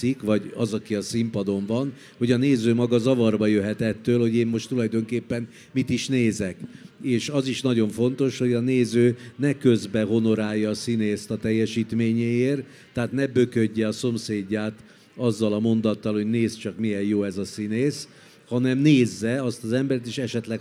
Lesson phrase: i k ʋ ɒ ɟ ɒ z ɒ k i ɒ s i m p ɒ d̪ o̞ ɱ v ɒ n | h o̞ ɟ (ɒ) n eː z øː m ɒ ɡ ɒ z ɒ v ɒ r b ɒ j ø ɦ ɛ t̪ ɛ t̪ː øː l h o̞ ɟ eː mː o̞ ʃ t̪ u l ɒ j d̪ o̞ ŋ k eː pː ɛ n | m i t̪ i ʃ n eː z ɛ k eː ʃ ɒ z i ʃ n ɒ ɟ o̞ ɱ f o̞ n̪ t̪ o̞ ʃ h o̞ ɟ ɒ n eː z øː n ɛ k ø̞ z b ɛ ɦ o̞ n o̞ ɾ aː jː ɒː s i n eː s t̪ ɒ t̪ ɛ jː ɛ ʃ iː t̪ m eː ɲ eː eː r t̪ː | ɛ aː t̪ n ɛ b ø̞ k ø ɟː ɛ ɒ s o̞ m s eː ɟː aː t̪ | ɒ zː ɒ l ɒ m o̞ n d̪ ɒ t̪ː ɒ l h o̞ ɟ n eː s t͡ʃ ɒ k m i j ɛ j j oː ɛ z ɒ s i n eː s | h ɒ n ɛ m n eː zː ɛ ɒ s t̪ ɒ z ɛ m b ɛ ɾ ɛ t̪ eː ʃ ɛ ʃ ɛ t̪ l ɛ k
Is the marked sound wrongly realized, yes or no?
no